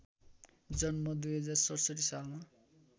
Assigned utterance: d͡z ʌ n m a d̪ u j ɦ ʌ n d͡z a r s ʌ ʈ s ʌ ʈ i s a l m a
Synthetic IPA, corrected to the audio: d͡z ʌ n m ʌ d̪ u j ɦ ʌ d͡z a r s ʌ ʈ s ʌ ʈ i s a l m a

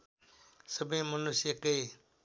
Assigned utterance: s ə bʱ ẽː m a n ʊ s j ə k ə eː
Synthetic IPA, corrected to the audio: s ə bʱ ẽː m ə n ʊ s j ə k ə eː

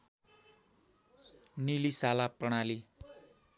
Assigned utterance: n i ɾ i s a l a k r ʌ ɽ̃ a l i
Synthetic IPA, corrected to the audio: n i l i s a l a p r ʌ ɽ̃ a l i

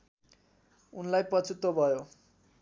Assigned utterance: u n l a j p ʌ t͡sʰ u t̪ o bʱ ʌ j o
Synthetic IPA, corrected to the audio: u n l a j p ʌ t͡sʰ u t̪ o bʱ ʌ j o

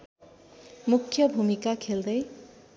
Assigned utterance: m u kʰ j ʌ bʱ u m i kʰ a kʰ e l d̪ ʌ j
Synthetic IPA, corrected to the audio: m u kʰ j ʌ bʱ u m i k a kʰ e l d̪ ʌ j

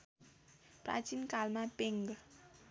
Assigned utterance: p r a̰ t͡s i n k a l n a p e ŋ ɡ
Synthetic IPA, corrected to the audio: p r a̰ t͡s i n k a l m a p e ŋ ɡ

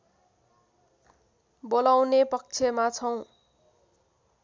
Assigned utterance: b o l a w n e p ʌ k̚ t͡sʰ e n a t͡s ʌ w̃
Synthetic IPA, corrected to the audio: b o l a w n e p ʌ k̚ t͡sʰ e m a t͡sʰ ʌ w̃

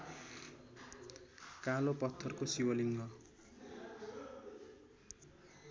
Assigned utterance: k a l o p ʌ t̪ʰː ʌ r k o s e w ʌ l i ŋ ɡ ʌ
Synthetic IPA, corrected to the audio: k a l o p ʌ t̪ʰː ʌ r k o s i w ʌ l i ŋ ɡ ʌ

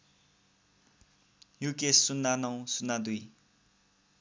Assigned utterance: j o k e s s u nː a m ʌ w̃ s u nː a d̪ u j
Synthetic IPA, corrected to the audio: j u k e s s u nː a n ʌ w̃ s u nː a d̪ u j

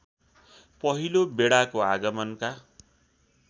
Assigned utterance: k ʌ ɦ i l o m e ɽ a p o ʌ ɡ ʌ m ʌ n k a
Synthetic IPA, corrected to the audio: p ʌ ɦ i l o b e ɽ a k o a ɡ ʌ m ʌ n k a

